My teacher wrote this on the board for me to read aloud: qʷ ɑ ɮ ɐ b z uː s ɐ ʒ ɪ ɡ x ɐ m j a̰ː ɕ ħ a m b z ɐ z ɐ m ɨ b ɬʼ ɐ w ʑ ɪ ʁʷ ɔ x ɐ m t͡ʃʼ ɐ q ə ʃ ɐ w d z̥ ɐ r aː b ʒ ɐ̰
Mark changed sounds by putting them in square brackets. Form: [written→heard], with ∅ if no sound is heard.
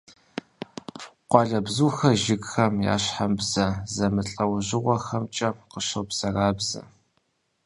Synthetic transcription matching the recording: qʷ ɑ ɮ ɐ b z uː [s→x] ɐ ʒ ɪ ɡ x ɐ m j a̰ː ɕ ħ a m b z ɐ z ɐ m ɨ [b→∅] ɬʼ ɐ w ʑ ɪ ʁʷ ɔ x ɐ m t͡ʃʼ ɐ q ə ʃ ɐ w [d→b] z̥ ɐ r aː b [ʒ→z] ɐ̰